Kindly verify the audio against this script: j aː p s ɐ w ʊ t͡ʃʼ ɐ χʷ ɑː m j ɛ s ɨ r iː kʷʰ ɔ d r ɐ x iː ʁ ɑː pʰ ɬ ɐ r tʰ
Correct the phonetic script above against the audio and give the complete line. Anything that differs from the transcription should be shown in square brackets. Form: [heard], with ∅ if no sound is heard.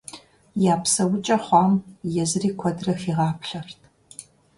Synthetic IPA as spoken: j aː p s ɐ w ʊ t͡ʃʼ ɐ χʷ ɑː m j ɛ [z] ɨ r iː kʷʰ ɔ d r ɐ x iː ʁ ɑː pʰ ɬ ɐ r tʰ